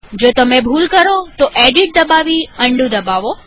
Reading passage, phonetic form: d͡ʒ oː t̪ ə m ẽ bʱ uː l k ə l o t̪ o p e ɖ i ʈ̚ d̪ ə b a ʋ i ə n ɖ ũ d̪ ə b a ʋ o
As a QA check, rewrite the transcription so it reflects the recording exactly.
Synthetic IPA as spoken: d͡ʒ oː t̪ ə m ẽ bʱ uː l k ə ɾ o t̪ o ʔ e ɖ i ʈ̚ d̪ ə b a ʋ i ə ɳ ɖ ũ d̪ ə b a ʋ o